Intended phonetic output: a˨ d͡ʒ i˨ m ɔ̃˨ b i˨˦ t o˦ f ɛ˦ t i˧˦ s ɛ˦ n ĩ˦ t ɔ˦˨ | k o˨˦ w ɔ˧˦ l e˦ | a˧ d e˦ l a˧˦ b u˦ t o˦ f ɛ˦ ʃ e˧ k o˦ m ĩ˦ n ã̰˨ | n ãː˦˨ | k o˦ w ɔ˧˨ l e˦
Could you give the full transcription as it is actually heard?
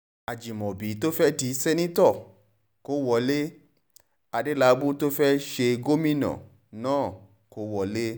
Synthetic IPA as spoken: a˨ d͡ʒ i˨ m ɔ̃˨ b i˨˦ t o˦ f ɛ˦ t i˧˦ s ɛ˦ n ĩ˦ t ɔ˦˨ | k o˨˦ w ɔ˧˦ l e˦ | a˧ d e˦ l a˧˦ b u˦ t o˦ f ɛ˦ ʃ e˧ ɡ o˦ m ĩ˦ n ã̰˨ | n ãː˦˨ | k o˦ w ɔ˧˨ l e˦